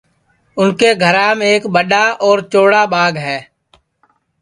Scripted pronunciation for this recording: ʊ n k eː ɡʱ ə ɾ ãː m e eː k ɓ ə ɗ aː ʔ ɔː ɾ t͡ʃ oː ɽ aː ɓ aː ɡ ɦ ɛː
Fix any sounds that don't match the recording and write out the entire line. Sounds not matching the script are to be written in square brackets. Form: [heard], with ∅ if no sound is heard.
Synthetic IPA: ʊ n k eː ɡʱ ə ɾ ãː m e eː k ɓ ə ɗ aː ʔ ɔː ɾ t͡ʃ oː ɽ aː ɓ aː ɡ ɦ ɛː